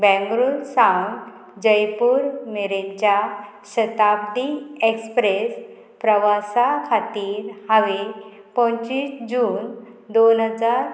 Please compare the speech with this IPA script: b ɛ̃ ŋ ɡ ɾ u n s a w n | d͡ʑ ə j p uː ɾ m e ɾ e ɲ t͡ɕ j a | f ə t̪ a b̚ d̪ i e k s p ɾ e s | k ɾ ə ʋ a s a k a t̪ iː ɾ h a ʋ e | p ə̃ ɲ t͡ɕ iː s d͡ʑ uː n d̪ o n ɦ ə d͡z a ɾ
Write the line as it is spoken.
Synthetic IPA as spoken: b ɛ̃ ŋ ɡ ɾ u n s a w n | d͡ʑ ə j p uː ɾ m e ɾ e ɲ t͡ɕ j a | ɕ ə t̪ a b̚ d̪ i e k s p ɾ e s | p ɾ ə ʋ a s a kʰ a t̪ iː ɾ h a ʋ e | p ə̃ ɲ t͡ɕ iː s d͡ʑ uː n d̪ o n ɦ ə d͡z a ɾ